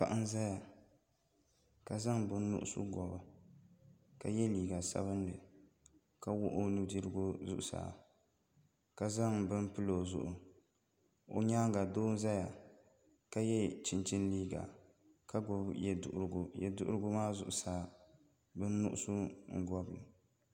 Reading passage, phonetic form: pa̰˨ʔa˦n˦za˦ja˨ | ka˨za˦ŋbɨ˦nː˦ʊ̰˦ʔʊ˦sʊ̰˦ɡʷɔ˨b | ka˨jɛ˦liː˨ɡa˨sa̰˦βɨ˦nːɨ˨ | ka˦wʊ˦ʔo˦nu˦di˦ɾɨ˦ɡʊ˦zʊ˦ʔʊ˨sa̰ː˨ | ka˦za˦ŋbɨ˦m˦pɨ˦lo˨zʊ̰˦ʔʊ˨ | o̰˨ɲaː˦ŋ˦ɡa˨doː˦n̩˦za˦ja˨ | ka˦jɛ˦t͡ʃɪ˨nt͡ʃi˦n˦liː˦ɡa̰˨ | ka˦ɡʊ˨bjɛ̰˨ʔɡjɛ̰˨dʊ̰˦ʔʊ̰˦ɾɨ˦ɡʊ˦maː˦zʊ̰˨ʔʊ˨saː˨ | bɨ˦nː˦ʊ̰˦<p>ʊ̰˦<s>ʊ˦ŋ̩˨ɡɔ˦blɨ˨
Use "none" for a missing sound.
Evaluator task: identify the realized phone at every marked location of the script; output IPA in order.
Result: ʔ, s

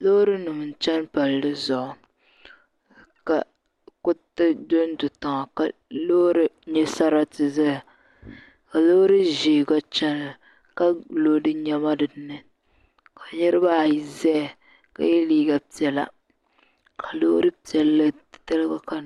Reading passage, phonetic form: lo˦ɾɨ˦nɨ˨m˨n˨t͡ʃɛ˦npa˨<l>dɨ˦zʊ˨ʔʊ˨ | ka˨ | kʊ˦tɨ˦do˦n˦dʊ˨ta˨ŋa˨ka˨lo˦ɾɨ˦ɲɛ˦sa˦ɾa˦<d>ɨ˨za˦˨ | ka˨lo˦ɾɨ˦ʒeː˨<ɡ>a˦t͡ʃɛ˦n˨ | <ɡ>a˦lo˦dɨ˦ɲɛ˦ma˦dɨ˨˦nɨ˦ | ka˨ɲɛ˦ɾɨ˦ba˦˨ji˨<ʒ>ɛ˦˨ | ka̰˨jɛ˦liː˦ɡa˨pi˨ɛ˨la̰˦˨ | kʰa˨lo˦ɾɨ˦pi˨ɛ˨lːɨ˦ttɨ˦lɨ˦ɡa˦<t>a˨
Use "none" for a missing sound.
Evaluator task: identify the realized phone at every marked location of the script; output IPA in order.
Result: l, t, ɡ, k, z, k

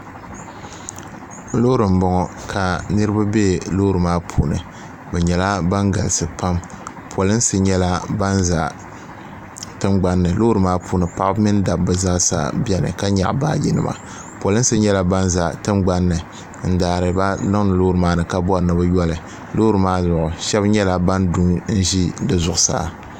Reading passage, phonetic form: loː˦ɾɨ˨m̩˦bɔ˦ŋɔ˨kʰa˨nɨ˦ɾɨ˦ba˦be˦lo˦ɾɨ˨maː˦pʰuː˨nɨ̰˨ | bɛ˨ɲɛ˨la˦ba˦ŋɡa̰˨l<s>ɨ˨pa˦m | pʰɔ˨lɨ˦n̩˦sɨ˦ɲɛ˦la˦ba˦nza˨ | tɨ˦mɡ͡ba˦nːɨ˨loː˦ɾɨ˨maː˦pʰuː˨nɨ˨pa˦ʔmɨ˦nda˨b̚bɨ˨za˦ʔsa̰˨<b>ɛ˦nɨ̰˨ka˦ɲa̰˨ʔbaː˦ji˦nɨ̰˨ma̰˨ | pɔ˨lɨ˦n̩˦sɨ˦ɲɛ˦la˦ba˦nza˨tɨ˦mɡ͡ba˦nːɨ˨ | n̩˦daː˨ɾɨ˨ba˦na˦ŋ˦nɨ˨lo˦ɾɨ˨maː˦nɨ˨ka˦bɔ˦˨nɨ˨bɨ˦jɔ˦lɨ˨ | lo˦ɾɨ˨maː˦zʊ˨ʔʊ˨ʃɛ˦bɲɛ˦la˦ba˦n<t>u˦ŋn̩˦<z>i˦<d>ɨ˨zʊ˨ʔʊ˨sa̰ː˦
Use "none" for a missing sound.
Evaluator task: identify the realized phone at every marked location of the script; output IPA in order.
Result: s, b, d, ʒ, d

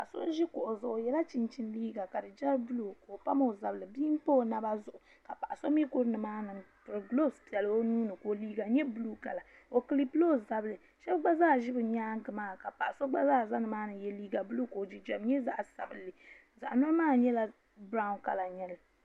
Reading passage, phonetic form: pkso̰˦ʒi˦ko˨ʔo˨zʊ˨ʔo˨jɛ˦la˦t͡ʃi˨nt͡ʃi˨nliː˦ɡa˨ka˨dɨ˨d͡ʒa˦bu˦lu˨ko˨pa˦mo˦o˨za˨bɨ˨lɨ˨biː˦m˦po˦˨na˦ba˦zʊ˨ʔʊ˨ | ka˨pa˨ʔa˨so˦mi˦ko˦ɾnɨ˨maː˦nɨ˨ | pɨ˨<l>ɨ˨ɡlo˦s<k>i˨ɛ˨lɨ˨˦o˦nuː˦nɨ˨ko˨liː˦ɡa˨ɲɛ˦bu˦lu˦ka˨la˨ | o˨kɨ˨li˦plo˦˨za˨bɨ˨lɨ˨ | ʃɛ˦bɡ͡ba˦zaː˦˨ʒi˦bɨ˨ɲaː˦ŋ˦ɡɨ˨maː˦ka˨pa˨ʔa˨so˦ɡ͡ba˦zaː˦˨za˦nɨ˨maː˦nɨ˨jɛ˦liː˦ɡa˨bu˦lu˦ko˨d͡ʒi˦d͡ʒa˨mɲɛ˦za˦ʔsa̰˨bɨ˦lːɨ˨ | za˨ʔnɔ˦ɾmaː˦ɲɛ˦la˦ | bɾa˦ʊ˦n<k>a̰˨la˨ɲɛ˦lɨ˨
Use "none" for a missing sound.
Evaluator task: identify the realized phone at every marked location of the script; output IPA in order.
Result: ɾ, p, k

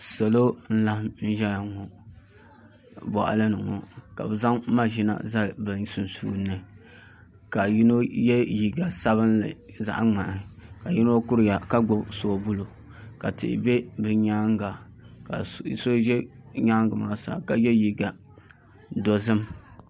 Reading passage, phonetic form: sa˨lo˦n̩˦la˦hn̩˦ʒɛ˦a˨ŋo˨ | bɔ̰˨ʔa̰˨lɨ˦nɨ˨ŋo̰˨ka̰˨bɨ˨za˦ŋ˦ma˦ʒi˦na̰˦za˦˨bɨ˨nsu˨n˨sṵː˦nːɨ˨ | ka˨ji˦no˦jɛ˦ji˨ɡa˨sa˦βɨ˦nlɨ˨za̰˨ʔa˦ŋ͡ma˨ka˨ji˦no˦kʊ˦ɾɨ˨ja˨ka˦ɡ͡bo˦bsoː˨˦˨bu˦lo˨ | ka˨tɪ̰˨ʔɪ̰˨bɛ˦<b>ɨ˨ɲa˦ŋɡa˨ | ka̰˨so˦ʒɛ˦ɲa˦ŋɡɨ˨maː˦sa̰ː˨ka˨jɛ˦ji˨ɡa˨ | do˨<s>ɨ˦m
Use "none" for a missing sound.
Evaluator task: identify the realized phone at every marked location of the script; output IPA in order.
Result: b, z

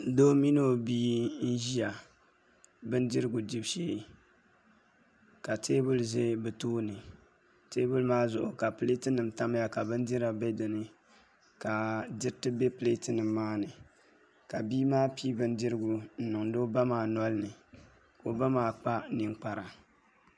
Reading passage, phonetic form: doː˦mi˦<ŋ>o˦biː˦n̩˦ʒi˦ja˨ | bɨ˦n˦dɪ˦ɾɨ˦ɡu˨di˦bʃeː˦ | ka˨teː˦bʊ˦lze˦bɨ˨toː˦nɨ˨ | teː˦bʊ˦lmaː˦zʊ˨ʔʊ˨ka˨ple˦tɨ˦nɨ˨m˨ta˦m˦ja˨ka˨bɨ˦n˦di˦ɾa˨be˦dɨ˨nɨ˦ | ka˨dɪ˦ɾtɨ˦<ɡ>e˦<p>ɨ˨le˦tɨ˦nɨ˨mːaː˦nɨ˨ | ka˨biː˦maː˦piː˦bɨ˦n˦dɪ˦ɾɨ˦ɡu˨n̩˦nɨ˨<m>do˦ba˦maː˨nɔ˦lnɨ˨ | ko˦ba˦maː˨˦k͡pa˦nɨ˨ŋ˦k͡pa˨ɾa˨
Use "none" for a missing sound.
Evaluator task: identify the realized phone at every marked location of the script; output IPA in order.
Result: n, b, p, ŋ

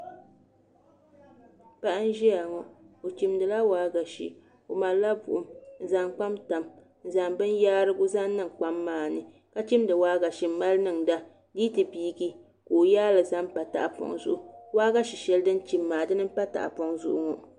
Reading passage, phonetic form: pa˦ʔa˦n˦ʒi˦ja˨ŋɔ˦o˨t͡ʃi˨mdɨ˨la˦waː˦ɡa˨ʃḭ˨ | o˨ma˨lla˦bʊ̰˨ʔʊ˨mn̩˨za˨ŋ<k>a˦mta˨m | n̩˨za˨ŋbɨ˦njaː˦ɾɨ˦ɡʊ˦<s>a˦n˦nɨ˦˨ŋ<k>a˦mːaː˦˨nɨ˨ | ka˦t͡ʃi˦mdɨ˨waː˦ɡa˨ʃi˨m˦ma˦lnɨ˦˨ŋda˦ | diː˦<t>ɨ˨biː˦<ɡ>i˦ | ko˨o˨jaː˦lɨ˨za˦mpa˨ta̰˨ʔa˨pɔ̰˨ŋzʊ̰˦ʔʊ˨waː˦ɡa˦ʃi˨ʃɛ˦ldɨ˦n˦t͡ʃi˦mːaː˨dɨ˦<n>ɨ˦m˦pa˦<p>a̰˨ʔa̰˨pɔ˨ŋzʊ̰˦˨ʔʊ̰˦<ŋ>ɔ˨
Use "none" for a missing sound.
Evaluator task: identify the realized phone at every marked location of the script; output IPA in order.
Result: k͡p, z, k͡p, t, ɡ, n, t, ŋ

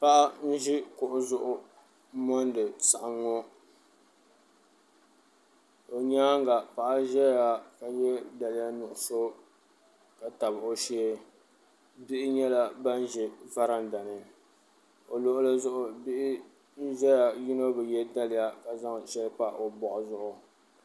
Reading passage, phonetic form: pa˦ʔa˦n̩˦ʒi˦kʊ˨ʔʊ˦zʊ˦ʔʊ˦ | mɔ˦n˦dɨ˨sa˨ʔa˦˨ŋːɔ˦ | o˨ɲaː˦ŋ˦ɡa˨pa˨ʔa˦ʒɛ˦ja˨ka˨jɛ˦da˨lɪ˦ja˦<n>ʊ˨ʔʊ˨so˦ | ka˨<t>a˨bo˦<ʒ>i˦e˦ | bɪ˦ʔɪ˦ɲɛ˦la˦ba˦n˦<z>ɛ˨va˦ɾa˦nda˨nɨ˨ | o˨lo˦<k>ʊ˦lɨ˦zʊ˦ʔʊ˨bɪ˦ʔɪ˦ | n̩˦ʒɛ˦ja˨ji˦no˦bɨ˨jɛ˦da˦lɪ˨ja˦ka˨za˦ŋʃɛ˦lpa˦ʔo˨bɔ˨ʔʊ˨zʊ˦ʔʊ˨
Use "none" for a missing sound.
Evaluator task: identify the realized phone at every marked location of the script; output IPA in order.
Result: n, t, ʃ, ʒ, ʔ

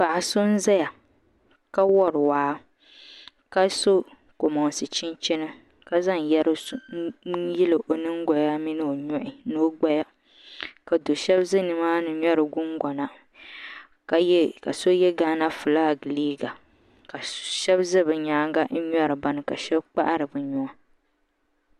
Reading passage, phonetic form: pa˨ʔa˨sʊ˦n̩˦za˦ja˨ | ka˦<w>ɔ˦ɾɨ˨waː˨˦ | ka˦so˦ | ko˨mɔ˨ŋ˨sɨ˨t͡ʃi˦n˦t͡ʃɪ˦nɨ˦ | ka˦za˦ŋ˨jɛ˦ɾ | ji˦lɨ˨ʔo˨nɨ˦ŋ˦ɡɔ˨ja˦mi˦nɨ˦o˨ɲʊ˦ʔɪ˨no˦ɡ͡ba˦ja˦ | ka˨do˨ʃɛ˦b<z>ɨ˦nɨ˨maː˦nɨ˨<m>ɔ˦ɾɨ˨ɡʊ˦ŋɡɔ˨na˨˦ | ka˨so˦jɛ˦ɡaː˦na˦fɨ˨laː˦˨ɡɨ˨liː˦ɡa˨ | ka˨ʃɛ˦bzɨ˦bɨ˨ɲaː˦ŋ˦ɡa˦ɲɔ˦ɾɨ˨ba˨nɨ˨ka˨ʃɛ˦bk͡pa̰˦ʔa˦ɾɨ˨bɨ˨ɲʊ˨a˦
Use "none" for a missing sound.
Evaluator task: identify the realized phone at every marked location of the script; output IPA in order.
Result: w, z, ɲ

